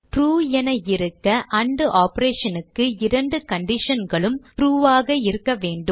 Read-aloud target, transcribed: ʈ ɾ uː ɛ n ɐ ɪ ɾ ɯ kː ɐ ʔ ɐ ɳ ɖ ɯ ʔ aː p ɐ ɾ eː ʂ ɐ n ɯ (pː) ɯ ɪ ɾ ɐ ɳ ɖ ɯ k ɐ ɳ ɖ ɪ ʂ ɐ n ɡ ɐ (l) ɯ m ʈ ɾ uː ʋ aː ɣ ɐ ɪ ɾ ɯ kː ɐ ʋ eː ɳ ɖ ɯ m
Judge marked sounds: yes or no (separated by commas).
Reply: no, no